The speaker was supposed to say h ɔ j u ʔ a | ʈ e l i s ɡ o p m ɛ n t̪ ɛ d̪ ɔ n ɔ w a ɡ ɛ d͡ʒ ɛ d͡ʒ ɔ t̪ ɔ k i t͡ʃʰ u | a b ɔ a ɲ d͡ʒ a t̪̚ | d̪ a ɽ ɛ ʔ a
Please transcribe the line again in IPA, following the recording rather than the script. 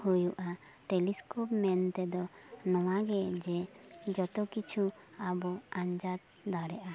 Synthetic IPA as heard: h u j u ʔ a | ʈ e l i s k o p m ɛ n t̪ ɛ d̪ ɔ n ɔ w a ɡ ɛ d͡ʒ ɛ d͡ʒ ɔ t̪ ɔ k i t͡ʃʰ u | a b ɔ a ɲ d͡ʒ a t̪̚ | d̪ a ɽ ɛ ʔ a